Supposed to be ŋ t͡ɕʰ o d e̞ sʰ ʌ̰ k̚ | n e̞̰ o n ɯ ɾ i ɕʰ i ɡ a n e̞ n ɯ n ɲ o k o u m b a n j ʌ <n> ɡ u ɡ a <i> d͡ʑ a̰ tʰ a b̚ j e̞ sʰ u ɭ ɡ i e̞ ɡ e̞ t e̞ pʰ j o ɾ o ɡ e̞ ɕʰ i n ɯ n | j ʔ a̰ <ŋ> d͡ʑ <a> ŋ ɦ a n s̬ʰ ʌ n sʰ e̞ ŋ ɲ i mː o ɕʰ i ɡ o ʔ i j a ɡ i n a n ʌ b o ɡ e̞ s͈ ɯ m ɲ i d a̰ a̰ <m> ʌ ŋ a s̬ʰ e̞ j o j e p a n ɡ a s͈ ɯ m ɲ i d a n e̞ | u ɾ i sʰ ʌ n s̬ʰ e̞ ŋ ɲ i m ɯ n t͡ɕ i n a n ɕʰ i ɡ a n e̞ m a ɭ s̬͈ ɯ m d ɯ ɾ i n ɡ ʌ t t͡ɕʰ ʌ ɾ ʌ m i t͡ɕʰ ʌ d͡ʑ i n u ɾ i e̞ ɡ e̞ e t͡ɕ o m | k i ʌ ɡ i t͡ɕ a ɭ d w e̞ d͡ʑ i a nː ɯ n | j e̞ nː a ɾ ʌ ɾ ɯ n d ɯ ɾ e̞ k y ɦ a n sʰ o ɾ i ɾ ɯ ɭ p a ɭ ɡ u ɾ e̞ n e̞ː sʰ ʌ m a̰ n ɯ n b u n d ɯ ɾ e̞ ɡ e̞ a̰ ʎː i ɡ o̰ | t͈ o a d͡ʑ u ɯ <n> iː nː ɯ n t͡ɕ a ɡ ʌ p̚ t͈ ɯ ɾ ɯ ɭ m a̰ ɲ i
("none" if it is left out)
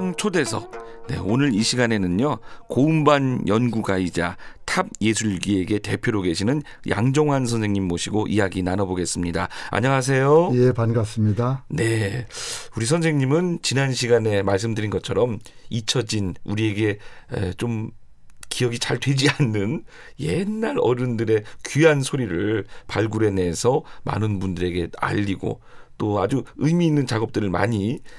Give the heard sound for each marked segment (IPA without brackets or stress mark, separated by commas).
n, i, ŋ, ʌ, ɲ, m